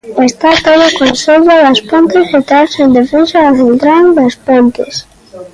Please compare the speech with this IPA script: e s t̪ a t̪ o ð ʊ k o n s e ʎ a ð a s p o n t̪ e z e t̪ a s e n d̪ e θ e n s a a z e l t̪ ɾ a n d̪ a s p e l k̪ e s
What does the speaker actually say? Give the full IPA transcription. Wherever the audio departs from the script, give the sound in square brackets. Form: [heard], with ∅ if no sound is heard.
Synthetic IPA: e s t̪ a t̪ o ð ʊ k o n s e ʎ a ð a s p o n t̪ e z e t̪ a s e n d̪ e [f] e n s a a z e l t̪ ɾ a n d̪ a s p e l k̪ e s